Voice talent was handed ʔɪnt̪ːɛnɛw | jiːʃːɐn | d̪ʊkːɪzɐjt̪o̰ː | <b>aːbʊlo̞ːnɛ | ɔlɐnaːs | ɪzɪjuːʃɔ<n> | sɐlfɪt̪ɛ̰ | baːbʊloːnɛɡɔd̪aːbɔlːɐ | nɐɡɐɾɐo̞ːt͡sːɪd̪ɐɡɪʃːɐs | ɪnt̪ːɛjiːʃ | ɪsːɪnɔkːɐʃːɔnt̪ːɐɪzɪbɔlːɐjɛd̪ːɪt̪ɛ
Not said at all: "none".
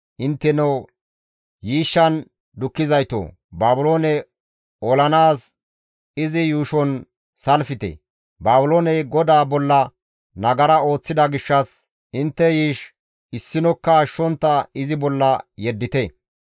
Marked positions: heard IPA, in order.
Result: b, n

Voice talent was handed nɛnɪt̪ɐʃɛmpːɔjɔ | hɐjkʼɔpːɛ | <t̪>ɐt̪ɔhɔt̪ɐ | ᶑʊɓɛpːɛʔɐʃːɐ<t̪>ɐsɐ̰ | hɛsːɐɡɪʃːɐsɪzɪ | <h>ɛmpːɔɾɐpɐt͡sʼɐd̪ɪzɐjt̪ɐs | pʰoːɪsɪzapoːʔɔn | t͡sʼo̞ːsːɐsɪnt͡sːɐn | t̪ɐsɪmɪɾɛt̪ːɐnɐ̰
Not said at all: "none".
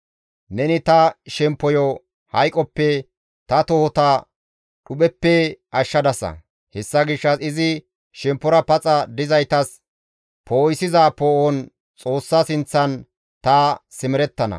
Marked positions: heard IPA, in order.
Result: t̪, d̪, ʃ

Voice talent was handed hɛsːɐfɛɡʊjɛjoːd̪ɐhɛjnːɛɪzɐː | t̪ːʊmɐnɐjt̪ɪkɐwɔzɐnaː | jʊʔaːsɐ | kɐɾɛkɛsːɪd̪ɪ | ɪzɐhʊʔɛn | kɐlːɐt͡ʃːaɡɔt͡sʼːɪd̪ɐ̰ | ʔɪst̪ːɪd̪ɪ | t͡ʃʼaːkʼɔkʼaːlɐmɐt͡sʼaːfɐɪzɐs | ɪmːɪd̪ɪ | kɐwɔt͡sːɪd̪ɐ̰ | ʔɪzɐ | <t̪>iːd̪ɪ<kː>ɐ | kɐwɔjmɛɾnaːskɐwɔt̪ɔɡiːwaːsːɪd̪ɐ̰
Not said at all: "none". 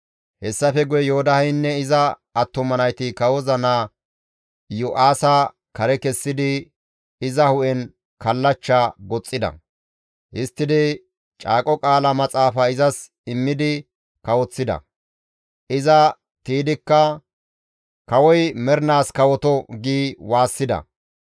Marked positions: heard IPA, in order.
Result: t̪, kː

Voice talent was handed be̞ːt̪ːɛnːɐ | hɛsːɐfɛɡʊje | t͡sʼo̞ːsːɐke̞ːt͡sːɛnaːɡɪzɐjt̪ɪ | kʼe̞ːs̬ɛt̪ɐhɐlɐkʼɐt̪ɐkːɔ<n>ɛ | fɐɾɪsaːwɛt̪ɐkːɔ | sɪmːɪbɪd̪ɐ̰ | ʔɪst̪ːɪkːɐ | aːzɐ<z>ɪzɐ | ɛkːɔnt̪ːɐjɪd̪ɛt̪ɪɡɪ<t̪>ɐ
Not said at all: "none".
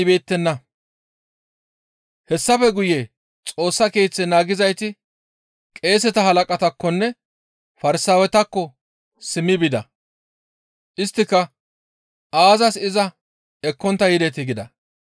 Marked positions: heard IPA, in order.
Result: nː, s, d̪

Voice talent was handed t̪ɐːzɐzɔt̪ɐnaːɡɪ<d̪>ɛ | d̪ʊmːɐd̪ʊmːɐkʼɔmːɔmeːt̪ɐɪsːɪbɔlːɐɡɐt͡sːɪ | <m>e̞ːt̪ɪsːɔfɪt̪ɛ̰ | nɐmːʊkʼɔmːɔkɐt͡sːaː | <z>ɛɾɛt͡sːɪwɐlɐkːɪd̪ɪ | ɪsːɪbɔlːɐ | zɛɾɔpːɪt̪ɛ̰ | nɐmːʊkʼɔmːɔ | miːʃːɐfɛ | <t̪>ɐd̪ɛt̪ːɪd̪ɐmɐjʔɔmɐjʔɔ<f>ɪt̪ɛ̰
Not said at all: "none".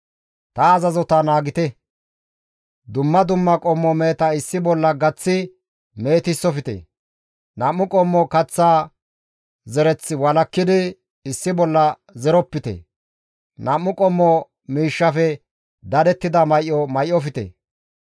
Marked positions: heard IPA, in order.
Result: t̪, m, z, d̪, f

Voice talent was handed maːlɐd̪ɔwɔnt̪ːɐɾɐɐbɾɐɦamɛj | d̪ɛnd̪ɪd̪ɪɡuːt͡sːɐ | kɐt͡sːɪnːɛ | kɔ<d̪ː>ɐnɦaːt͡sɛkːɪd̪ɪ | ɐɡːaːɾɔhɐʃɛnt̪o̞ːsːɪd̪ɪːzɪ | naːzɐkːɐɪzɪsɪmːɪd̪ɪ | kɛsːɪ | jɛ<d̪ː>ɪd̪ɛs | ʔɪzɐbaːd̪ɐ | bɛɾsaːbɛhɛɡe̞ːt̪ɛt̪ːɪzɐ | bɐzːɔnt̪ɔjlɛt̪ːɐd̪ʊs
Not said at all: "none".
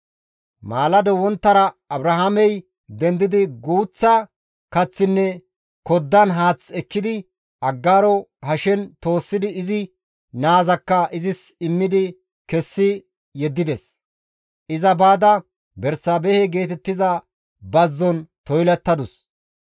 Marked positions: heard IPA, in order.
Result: d̪ː, d̪ː

